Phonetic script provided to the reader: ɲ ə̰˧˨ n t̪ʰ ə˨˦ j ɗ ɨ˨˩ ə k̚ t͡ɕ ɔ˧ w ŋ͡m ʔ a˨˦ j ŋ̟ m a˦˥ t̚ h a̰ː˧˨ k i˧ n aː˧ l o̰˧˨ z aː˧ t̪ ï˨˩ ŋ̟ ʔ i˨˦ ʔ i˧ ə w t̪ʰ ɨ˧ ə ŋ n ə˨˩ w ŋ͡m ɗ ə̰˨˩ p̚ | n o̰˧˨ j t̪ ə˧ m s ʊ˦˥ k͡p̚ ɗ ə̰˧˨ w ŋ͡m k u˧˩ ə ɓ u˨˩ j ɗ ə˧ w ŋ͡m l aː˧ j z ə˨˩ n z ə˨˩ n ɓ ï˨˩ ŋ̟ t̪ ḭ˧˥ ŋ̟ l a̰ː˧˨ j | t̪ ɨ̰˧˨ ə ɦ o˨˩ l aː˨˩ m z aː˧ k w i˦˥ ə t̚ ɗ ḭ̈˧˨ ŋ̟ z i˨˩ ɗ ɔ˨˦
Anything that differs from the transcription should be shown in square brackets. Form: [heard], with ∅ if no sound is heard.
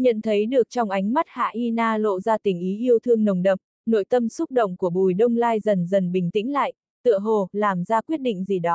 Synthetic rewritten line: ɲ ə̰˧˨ n t̪ʰ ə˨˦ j ɗ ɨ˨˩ ə k̚ t͡ɕ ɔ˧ w ŋ͡m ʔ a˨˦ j ŋ̟ m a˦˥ t̚ h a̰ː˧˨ [ʔ] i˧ n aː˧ l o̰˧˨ z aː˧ t̪ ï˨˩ ŋ̟ ʔ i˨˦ ʔ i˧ ə w t̪ʰ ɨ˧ ə ŋ n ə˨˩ w ŋ͡m ɗ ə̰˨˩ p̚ | n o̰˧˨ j t̪ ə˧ m s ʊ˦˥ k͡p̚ ɗ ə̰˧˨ w ŋ͡m k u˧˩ ə ɓ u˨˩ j ɗ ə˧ w ŋ͡m l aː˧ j z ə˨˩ n z ə˨˩ n ɓ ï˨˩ ŋ̟ t̪ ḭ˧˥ ŋ̟ l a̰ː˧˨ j | t̪ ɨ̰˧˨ ə ɦ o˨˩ l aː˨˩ m z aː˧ k w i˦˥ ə t̚ ɗ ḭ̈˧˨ ŋ̟ z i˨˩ ɗ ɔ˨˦